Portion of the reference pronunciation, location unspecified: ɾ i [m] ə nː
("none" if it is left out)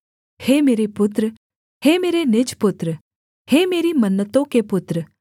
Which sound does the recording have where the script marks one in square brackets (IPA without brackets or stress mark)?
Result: m